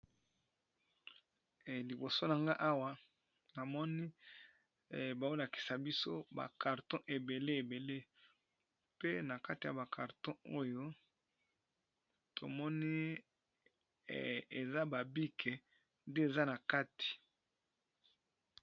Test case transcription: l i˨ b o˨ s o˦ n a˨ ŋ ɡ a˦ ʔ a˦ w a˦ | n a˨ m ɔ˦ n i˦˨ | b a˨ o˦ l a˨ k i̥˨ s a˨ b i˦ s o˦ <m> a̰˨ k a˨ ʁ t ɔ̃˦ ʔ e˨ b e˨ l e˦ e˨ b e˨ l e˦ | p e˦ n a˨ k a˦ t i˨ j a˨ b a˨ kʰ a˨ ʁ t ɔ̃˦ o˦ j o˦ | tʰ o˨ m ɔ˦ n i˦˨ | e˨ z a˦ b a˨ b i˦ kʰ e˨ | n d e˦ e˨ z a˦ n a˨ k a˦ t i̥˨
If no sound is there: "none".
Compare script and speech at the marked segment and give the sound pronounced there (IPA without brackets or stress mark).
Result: b